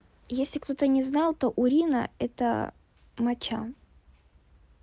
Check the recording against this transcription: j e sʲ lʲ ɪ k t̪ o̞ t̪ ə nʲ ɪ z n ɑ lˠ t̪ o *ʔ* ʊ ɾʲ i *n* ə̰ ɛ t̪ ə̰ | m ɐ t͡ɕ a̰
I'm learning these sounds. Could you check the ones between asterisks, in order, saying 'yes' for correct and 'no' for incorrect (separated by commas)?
yes, yes